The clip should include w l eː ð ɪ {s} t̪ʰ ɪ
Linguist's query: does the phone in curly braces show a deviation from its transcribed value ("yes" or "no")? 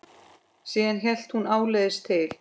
no